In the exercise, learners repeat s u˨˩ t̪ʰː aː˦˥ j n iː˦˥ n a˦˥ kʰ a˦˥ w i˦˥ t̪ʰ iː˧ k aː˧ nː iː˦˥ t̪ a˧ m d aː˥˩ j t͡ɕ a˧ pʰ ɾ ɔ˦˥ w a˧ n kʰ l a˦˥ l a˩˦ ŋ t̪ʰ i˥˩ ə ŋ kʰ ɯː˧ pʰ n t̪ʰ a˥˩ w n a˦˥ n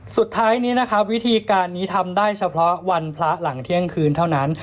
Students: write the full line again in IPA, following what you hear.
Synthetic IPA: s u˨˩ t̪ʰː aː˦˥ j n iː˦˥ n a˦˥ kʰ a˦˥ w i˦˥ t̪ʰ iː˧ k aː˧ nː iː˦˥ t̪ʰ a˧ m d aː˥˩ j t͡ɕʰ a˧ pʰ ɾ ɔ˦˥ w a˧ n pʰ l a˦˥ l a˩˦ ŋ t̪ʰ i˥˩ ə ŋ kʰ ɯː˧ n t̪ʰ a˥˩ w n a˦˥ n